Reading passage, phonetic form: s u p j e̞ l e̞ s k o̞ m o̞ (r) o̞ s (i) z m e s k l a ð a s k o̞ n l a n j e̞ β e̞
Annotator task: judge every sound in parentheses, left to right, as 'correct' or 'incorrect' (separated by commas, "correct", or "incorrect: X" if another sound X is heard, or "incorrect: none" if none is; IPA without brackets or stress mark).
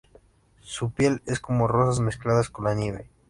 correct, incorrect: a